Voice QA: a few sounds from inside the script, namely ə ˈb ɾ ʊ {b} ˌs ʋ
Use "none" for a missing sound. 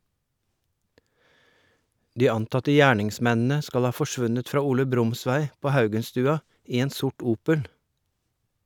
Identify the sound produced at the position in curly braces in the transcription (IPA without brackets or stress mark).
m